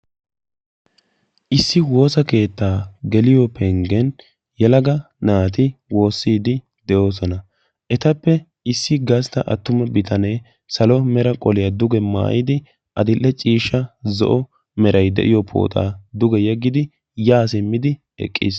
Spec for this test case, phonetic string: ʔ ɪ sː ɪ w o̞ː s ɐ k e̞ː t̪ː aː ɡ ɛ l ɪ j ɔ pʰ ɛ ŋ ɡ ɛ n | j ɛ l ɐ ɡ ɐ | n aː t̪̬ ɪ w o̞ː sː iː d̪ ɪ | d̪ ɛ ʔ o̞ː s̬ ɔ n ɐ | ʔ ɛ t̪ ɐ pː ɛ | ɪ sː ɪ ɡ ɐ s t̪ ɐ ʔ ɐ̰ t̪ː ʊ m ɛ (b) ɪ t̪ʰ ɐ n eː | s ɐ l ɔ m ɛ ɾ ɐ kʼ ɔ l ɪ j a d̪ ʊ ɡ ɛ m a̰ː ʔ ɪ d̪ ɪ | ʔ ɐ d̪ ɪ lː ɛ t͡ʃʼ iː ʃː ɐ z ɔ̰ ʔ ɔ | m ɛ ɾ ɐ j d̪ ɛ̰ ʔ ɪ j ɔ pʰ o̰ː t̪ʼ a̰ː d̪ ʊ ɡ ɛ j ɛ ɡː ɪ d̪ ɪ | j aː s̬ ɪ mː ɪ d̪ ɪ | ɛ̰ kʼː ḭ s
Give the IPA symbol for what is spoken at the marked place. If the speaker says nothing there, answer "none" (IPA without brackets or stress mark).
b